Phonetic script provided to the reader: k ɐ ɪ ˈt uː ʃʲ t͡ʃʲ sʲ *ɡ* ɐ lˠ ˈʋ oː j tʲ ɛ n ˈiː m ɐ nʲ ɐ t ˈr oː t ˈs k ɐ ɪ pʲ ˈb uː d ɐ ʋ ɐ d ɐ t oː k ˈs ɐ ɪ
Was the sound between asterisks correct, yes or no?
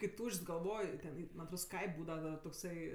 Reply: yes